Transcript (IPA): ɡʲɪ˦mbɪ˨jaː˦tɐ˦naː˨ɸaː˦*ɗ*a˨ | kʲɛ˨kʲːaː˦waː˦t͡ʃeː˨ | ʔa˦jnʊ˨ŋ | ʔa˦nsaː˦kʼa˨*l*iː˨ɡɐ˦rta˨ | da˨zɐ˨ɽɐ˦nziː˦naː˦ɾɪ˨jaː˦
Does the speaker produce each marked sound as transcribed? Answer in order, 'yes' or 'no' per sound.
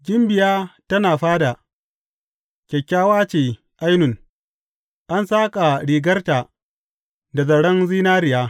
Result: no, no

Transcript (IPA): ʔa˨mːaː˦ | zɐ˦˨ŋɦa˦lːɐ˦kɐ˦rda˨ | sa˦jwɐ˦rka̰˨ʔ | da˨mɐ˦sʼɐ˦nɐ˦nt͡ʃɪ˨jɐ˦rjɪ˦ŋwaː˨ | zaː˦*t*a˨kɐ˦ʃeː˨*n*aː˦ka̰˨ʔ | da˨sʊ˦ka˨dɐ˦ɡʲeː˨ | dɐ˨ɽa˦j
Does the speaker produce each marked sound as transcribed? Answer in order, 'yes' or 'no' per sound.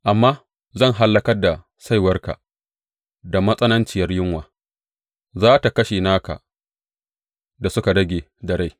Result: yes, yes

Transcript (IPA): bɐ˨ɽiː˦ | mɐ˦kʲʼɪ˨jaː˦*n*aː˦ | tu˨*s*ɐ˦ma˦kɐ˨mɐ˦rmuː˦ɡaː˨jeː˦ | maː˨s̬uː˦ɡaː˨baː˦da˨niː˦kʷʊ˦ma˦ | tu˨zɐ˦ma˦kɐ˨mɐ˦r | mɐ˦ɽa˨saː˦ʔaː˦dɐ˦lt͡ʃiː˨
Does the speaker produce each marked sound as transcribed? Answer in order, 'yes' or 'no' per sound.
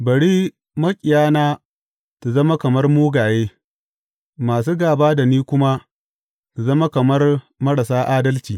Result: yes, no

